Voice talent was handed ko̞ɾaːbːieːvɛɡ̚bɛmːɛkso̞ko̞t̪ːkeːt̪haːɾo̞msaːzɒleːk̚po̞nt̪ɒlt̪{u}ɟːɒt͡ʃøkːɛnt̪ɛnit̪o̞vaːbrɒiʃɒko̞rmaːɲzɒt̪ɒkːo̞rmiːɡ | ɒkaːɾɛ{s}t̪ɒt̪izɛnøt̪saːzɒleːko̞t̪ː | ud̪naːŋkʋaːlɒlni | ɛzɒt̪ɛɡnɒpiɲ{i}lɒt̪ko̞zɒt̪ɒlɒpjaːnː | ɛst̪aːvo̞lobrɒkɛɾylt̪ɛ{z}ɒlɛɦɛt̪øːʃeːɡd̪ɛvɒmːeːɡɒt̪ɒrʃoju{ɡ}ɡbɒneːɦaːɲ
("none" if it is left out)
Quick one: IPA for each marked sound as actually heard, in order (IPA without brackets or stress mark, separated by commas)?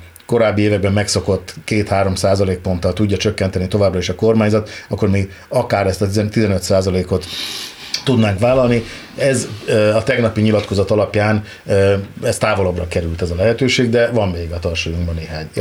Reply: u, s, i, z, ŋ